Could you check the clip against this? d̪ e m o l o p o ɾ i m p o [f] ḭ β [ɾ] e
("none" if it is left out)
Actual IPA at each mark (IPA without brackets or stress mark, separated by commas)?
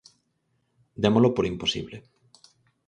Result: s, l